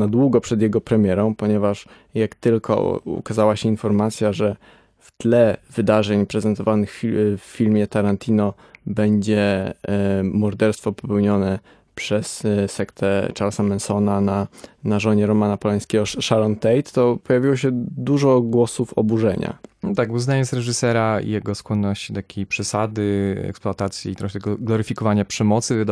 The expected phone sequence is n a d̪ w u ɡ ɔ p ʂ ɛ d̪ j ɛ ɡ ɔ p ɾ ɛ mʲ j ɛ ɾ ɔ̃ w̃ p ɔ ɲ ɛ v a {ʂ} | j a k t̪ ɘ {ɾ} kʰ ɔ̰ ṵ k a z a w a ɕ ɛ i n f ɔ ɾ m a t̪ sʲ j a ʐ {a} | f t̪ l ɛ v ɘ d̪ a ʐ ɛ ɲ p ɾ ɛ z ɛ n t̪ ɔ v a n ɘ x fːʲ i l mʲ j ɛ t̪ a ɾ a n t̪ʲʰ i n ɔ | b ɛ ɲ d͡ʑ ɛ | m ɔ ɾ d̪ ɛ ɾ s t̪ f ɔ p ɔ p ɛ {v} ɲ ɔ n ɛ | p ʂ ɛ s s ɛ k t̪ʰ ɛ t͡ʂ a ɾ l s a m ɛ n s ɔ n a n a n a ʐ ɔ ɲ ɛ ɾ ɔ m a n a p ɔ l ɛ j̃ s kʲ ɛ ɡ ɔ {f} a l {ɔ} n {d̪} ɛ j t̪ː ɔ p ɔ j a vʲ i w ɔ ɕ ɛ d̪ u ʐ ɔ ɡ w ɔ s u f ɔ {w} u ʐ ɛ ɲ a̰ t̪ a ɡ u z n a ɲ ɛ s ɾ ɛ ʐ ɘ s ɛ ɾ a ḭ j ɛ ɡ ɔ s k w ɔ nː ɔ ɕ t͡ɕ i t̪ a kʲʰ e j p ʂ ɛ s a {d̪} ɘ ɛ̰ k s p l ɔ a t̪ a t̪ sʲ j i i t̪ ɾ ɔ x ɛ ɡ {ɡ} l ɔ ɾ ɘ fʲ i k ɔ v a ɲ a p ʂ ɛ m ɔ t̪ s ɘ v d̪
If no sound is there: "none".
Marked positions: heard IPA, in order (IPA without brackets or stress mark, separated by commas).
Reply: ʂ, l, ɛ, w, ʂ, ɔ, t̪, b, d̪, ɡ